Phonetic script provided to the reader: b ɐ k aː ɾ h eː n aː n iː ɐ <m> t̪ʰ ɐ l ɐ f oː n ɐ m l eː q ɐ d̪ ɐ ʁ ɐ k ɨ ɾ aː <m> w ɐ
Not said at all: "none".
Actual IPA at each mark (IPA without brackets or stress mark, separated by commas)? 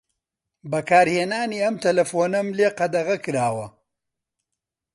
m, none